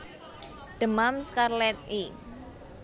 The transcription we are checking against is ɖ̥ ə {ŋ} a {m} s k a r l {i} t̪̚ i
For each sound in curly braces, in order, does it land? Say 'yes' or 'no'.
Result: no, yes, no

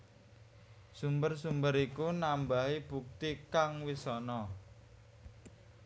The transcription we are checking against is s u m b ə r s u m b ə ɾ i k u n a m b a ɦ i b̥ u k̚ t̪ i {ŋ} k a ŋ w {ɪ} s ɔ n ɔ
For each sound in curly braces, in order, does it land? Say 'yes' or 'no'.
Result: no, no

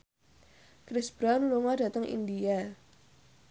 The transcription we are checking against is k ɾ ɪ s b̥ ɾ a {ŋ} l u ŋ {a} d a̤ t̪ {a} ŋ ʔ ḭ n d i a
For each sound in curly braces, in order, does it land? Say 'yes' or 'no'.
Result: no, yes, no

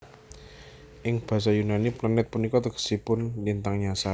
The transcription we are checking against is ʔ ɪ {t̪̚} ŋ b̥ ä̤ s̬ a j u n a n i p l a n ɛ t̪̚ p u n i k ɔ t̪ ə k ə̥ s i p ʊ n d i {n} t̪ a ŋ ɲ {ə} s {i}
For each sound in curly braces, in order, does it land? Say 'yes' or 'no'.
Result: no, yes, no, no

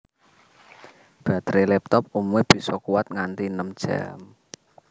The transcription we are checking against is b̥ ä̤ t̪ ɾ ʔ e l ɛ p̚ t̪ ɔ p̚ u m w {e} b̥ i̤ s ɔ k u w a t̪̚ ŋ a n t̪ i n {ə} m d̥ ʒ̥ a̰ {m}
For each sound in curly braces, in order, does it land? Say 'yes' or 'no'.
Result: yes, yes, yes

